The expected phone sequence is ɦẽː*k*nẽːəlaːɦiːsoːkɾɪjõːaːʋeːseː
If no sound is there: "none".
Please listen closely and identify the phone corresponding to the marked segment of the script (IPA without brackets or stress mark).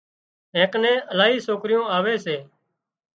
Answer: k